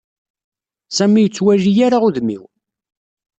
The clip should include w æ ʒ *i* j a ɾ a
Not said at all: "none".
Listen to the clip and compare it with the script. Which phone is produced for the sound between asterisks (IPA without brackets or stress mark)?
i